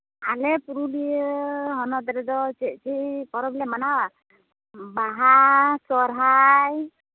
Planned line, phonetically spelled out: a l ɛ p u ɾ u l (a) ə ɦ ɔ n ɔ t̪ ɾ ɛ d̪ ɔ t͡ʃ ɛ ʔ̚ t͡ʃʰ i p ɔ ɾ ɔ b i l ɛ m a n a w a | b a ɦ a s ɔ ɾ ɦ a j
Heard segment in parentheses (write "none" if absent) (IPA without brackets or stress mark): i